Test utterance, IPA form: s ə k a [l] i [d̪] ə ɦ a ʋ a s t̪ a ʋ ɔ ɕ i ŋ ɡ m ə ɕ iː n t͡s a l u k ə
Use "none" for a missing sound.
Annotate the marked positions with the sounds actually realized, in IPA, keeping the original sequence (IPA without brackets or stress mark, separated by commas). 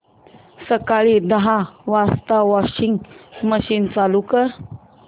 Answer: ɭ, d̪